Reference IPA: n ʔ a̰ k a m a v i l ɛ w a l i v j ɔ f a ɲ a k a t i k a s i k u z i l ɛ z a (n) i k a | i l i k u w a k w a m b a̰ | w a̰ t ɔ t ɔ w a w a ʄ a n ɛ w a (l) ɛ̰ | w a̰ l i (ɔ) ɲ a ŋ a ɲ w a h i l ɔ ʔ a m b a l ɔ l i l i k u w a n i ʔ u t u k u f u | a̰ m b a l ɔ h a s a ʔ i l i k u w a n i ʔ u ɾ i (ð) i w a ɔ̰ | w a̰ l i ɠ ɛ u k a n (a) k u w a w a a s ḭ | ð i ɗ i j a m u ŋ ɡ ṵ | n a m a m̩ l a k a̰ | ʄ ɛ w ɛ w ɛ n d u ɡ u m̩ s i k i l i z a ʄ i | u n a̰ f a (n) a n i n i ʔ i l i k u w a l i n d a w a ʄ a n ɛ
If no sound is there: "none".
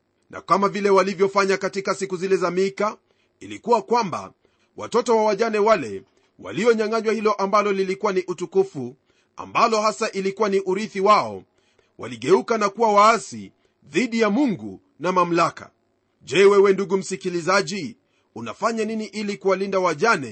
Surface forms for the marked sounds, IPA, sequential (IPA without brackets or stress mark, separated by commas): m, l, ɔ, θ, a, ɲ